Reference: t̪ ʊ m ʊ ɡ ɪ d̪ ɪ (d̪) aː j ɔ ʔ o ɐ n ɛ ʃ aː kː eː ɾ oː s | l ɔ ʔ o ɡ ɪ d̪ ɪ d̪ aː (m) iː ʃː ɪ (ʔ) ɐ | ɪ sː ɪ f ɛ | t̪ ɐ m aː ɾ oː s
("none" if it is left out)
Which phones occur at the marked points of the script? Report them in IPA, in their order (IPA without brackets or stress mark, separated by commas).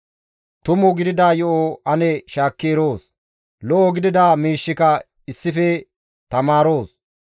d̪, m, k